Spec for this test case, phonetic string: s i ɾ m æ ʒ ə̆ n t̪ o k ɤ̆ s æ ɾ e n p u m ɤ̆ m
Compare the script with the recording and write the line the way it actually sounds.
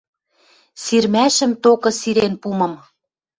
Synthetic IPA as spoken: s i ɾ m æ ʃ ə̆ m t̪ o k ɤ̆ s i ɾ e n p u m ɤ̆ m